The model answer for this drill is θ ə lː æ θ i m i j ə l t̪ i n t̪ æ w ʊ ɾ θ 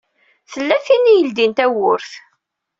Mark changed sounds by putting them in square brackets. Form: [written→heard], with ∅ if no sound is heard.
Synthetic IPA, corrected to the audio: θ ə lː æ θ i [m→n] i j ə l [t̪→d̪] i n t̪ æ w ʊ ɾ θ